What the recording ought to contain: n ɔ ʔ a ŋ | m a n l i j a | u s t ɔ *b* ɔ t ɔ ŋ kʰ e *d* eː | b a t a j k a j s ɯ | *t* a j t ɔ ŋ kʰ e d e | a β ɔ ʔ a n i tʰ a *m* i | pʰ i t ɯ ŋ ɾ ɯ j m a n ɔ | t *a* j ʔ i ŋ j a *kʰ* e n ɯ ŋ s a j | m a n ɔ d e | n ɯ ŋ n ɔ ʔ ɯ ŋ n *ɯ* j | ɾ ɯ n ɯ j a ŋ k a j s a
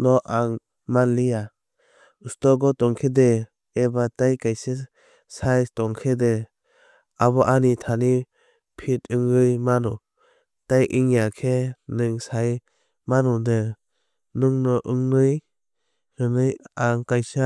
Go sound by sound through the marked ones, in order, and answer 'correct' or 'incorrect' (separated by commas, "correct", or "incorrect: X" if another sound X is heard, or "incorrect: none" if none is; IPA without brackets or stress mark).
incorrect: ɡ, correct, incorrect: s, incorrect: n, correct, correct, correct